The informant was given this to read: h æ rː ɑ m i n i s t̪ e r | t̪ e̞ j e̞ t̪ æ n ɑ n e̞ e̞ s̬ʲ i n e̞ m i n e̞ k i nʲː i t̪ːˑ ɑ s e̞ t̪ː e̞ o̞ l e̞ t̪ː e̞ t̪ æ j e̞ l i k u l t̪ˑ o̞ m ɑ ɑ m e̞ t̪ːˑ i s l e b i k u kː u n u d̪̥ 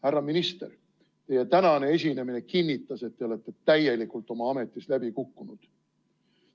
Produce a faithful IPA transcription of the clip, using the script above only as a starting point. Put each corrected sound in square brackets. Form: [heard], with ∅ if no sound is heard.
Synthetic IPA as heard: h æ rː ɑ m i n i s t̪ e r | t̪ e̞ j e̞ t̪ æ n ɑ n e̞ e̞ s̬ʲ i n e̞ m i n e̞ k i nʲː i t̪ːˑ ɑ s e̞ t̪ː e̞ o̞ l e̞ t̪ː e̞ t̪ æ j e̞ l i k u l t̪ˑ o̞ m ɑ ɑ m e̞ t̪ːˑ i s l [æ] b i k u kː u n u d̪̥